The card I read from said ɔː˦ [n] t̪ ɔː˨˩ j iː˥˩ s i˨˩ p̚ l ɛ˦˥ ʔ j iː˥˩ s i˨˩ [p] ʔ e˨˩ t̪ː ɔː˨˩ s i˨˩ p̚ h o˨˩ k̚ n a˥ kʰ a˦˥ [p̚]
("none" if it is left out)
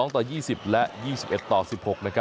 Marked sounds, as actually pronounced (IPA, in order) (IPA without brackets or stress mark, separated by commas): ŋ, p, none